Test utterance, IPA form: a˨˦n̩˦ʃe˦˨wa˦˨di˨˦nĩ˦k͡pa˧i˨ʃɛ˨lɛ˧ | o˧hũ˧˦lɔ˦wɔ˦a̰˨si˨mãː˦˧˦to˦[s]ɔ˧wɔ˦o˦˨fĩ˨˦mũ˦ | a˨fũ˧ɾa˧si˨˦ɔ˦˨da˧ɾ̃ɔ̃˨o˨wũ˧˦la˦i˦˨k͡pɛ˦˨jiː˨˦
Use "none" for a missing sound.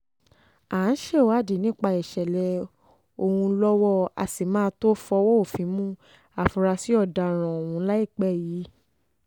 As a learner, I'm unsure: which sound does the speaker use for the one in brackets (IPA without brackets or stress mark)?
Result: f